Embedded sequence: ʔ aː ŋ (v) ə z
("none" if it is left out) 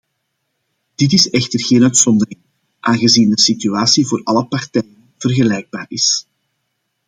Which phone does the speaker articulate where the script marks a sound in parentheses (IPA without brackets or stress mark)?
ɣ